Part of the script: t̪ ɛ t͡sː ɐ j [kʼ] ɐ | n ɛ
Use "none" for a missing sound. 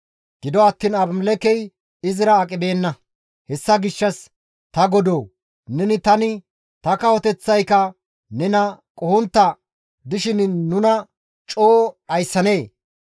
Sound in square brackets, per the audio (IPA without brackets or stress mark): k